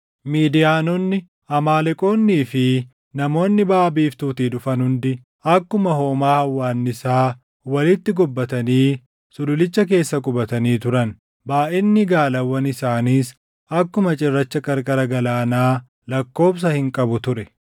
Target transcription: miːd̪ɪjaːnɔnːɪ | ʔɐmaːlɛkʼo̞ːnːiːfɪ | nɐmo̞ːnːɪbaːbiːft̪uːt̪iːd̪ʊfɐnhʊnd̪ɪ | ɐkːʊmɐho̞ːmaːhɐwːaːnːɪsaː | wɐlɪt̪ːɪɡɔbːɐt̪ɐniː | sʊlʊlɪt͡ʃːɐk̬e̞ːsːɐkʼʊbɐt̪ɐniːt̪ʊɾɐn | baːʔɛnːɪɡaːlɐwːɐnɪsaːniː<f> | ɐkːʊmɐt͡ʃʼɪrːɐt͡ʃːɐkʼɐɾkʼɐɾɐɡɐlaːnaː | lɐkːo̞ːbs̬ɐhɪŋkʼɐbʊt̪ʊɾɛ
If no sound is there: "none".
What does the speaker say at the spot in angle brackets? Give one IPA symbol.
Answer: s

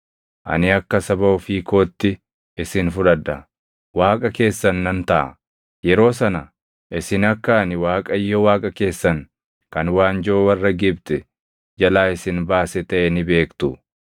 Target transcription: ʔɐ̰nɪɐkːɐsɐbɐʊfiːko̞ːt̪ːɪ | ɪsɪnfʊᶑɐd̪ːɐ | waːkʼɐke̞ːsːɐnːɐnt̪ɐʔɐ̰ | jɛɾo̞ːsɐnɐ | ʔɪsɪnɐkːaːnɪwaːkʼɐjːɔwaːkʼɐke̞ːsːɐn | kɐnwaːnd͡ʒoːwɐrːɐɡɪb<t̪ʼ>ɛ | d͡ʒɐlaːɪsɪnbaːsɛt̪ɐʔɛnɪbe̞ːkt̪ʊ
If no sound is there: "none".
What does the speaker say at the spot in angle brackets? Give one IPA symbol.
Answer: t̪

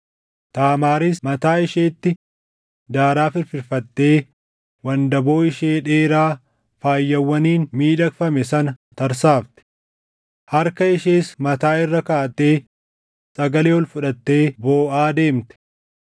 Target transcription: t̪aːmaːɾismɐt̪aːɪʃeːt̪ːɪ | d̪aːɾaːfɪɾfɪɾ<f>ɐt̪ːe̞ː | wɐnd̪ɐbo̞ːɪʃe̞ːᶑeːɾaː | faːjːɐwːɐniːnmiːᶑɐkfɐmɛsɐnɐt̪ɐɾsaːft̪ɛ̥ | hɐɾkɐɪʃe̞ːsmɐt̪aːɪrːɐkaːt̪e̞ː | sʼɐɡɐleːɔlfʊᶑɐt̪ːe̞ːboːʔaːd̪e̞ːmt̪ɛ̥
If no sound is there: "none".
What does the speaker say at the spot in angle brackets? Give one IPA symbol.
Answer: f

